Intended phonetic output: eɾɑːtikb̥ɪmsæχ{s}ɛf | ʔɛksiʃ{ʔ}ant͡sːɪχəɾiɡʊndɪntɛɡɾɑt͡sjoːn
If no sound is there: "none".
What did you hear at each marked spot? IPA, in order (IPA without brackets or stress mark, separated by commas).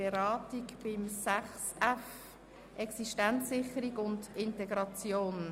s, t